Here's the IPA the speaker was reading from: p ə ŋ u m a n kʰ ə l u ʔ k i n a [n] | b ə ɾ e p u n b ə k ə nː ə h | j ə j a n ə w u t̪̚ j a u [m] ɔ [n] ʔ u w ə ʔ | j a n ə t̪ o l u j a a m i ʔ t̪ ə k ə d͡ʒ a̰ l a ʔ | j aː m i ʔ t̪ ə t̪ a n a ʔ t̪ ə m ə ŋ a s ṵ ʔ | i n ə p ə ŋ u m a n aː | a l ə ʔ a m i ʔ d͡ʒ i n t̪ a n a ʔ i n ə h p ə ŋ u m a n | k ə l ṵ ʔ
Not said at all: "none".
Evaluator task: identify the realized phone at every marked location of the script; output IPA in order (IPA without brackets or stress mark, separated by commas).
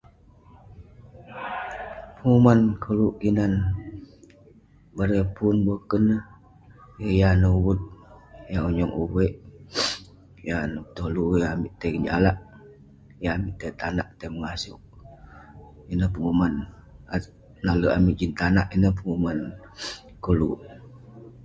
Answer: n, ɲ, ŋ